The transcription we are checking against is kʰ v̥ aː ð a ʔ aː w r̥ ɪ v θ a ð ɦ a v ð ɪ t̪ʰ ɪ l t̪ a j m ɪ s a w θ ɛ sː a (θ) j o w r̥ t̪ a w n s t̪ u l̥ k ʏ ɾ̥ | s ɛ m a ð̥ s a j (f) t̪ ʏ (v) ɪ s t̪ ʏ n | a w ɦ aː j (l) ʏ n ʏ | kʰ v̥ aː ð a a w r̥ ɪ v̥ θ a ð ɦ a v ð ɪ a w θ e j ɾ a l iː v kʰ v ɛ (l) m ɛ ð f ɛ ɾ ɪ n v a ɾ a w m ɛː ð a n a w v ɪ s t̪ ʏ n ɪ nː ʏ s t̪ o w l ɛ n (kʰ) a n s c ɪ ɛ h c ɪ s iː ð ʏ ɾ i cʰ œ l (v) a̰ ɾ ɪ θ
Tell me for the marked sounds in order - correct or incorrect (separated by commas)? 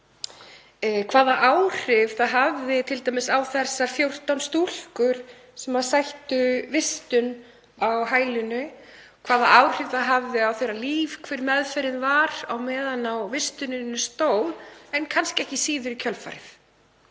incorrect, incorrect, correct, correct, incorrect, correct, incorrect